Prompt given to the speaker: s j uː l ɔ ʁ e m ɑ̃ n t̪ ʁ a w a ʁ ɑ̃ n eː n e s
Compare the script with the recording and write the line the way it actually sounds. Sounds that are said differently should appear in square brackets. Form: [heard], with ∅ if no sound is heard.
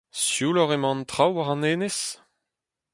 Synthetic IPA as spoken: s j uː l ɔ ʁ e m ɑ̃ n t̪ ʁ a w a ʁ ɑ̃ n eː n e s